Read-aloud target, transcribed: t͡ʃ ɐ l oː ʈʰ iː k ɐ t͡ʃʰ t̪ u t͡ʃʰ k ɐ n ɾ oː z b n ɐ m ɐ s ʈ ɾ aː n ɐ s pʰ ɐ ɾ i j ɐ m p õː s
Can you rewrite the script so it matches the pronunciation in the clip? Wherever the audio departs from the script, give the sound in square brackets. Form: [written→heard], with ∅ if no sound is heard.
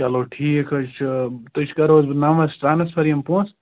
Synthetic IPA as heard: t͡ʃ ɐ l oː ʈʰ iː k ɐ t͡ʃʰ t̪ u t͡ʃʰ k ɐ [n→∅] ɾ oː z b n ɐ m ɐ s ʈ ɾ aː n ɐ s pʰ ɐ ɾ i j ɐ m p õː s